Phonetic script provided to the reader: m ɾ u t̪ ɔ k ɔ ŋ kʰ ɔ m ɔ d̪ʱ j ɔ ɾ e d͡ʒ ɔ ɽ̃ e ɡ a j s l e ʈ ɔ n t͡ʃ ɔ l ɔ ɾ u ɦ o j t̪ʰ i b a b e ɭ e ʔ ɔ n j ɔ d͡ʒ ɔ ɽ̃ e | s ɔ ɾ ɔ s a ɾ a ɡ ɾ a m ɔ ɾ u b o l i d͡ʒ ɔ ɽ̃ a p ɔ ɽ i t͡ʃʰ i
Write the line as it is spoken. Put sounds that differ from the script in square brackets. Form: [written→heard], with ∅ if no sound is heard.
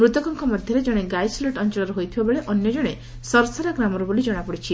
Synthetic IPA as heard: m ɾ u t̪ ɔ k ɔ ŋ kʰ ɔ m ɔ d̪ʱ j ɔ ɾ e d͡ʒ ɔ ɽ̃ e ɡ a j s l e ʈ ɔ n t͡ʃ ɔ l ɔ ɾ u ɦ o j t̪ʰ i b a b e ɭ e ʔ ɔ n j ɔ d͡ʒ ɔ ɽ̃ e | s ɔ ɾ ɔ s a ɾ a ɡ ɾ a m ɔ ɾ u b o l i d͡ʒ ɔ ɽ̃ a p ɔ ɽ i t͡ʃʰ i